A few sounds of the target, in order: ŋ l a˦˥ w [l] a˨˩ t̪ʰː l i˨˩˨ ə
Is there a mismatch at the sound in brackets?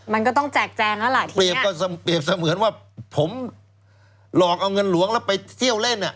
no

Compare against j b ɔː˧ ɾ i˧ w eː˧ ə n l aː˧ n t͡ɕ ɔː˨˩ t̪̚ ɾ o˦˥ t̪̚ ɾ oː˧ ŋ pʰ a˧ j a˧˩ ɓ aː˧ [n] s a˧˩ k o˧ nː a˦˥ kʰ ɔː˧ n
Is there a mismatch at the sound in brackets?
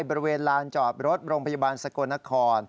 no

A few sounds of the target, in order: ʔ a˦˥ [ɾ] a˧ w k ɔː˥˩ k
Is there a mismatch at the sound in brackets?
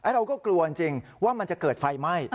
no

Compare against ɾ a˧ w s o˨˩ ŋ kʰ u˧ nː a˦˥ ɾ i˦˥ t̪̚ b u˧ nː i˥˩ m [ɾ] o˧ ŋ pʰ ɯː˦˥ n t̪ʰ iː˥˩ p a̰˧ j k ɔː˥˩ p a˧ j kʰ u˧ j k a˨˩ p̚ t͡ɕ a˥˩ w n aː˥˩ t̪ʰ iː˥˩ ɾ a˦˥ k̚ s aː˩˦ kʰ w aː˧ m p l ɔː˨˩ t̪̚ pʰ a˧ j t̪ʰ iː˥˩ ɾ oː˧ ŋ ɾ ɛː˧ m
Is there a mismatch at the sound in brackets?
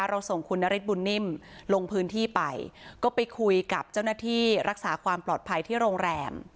yes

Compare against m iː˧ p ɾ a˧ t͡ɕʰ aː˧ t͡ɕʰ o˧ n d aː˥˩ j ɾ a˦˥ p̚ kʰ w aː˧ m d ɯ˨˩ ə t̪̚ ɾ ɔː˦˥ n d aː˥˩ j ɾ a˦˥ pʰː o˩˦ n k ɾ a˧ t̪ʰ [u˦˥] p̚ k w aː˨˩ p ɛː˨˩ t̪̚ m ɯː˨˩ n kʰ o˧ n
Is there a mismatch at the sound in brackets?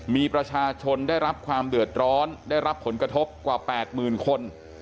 yes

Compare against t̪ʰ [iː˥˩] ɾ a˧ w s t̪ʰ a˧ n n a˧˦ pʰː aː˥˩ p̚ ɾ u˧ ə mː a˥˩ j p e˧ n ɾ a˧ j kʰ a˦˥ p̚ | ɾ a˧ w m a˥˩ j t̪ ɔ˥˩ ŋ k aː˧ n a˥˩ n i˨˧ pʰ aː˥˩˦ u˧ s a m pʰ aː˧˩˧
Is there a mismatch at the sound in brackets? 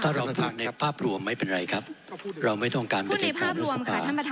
yes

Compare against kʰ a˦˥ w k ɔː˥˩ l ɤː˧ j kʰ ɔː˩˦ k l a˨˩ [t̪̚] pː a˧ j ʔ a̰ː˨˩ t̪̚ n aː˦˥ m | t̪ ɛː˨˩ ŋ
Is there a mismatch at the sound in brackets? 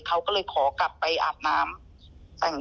yes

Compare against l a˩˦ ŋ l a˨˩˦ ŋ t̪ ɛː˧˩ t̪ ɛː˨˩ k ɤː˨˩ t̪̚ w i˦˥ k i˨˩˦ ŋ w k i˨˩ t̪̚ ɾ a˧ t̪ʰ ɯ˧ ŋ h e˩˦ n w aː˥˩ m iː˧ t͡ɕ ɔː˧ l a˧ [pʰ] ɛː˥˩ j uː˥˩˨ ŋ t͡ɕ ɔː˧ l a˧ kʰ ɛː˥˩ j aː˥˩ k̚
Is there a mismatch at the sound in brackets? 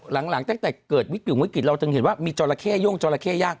yes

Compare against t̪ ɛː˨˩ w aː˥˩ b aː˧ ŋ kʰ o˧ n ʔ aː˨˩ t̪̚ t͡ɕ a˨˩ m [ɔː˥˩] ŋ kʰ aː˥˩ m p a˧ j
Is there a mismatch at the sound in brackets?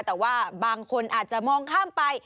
yes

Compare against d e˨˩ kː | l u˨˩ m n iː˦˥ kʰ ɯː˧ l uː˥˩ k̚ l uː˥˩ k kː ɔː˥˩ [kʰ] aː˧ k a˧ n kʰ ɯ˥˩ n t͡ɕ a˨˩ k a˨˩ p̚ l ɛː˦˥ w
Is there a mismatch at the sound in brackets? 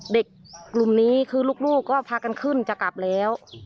yes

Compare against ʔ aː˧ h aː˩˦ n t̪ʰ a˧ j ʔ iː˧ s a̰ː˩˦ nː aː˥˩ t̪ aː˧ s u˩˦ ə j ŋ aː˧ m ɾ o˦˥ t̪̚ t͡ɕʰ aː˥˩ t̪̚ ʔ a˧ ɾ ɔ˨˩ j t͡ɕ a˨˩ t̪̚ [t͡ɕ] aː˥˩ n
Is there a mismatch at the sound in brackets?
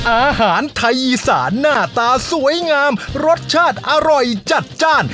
no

